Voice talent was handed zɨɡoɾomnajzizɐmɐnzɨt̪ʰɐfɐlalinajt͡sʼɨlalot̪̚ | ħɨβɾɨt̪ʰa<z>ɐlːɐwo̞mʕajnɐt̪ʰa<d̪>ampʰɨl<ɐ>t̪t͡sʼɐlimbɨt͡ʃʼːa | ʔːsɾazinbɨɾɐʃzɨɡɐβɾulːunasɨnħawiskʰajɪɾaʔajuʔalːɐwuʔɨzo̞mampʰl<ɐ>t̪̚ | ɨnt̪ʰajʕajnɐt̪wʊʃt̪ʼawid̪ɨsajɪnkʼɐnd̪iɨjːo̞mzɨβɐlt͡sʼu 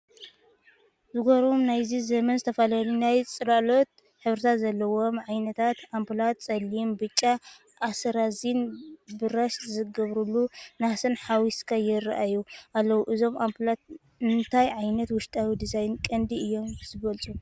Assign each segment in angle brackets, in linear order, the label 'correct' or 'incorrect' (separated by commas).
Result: correct, incorrect, incorrect, incorrect